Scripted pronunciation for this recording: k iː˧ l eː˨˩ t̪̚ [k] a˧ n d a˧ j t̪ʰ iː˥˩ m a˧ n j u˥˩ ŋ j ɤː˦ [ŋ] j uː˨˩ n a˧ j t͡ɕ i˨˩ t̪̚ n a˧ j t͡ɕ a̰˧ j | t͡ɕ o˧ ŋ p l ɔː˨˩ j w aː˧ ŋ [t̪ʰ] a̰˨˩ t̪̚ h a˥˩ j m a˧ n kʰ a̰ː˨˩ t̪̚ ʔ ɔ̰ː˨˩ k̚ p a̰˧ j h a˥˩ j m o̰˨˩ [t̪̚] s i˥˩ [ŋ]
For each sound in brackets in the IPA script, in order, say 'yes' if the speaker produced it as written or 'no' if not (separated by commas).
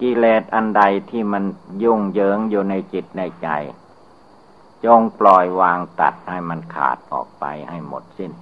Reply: no, yes, no, yes, no